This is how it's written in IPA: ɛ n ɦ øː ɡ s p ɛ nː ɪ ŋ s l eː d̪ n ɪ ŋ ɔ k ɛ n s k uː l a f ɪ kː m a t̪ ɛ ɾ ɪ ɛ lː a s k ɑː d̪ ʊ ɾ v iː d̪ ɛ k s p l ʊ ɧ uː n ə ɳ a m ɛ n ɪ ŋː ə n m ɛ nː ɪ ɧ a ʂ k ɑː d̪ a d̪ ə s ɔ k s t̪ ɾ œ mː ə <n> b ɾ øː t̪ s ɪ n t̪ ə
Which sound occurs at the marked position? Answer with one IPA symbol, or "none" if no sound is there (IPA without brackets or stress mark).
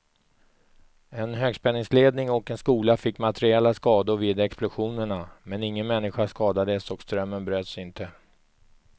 n